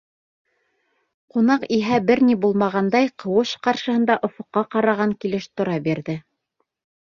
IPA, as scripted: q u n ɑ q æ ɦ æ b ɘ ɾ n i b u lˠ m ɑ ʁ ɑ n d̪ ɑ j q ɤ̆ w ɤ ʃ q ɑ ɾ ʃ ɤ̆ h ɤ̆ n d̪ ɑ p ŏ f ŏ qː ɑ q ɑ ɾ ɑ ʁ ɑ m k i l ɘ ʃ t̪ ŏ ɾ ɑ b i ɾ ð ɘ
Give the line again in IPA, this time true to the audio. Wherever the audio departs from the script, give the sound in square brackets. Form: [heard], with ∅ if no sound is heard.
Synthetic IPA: q u n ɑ q [i] ɦ æ b ɘ ɾ n i b u lˠ m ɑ ʁ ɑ n d̪ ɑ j q ɤ̆ w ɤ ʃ q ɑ ɾ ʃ ɤ̆ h ɤ̆ n d̪ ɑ [ʔ] ŏ f ŏ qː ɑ q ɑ ɾ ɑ ʁ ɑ [ŋ] k i l ɘ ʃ t̪ ŏ ɾ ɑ b i ɾ ð ɘ